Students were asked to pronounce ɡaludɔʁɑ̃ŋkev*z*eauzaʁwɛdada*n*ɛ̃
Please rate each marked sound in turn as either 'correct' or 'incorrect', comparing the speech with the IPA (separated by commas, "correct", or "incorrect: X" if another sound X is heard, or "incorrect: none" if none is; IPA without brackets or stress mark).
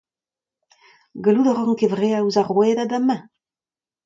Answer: incorrect: ʁ, incorrect: m